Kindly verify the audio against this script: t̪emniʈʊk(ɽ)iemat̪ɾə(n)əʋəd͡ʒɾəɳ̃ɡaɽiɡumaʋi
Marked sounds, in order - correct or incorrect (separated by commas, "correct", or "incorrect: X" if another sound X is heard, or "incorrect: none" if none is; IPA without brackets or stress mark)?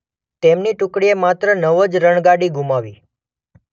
correct, correct